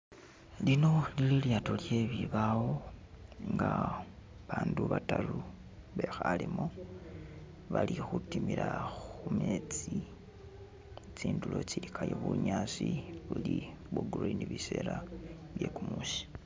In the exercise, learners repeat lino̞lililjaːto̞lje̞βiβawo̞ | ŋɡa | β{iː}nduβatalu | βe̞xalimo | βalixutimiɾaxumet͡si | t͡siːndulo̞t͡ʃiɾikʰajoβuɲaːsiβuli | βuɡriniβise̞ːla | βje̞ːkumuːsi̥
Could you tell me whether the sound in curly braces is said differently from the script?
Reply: yes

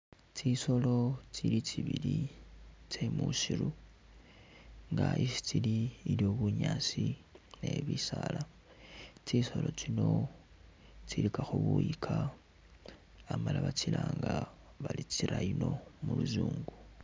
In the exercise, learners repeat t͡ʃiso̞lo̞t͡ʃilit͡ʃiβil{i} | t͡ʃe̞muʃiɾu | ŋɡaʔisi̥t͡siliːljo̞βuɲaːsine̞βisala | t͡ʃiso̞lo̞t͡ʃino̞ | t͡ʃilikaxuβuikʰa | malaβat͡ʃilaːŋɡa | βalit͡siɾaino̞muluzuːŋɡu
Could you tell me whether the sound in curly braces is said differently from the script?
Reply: no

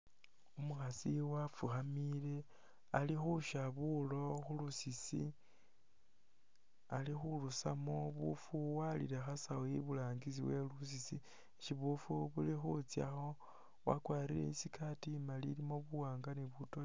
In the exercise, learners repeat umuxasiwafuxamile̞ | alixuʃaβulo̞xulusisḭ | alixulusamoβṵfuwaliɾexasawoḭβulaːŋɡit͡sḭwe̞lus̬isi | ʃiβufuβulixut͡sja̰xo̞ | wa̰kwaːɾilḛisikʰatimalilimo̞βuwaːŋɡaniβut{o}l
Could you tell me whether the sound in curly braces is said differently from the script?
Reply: no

